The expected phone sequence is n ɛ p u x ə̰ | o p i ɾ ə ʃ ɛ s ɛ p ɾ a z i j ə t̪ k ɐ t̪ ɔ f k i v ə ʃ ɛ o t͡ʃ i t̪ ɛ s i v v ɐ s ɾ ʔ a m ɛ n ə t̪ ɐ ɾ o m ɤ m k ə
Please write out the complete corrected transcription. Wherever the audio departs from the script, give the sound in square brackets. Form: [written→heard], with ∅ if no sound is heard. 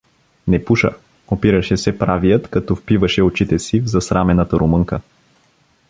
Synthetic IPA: n ɛ p u [x→ʃ] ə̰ | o p i ɾ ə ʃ ɛ s ɛ p ɾ a [z→v] i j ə t̪ k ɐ t̪ ɔ f [k→p] i v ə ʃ ɛ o t͡ʃ i t̪ ɛ s i v [v→z] ɐ s ɾ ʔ a m ɛ n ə t̪ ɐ ɾ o m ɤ [m→ŋ] k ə